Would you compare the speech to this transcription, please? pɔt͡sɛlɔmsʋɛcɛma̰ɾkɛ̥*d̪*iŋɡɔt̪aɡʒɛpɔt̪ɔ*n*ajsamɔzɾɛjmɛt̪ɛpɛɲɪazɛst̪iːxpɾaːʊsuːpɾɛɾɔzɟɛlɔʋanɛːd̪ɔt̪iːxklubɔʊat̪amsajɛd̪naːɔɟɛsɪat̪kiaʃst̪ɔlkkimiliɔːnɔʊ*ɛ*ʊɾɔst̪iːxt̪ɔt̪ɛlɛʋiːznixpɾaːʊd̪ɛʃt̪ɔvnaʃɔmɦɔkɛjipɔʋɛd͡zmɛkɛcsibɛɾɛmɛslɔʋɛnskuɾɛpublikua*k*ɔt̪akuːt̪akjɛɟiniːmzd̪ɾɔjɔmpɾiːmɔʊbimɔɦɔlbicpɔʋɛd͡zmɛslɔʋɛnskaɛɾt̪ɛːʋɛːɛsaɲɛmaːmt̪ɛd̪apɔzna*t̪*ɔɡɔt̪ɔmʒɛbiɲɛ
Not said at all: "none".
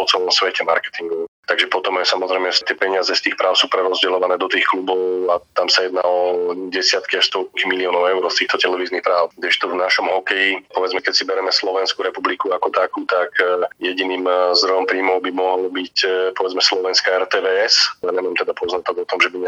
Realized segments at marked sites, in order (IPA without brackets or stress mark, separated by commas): t̪, m, ɛ, k, t̪